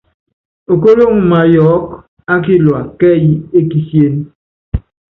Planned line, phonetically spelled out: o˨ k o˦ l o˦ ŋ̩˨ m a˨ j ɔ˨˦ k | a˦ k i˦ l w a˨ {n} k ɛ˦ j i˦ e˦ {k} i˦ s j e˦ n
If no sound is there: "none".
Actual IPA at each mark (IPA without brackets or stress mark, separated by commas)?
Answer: none, k